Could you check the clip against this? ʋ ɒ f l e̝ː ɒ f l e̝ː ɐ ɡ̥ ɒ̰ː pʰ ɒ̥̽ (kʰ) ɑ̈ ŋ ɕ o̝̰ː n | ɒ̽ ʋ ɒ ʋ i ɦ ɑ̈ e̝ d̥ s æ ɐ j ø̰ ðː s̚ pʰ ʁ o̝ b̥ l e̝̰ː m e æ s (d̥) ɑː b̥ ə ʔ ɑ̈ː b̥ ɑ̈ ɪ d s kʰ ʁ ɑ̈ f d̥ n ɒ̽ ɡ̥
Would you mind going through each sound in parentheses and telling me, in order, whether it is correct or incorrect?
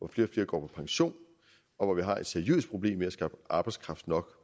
incorrect: pʰ, incorrect: ɡ̥

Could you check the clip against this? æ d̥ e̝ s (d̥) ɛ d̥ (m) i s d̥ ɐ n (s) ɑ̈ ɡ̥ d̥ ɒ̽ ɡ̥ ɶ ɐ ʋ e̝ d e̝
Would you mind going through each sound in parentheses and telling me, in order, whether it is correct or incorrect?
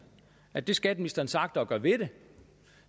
incorrect: ɡ̥, correct, correct

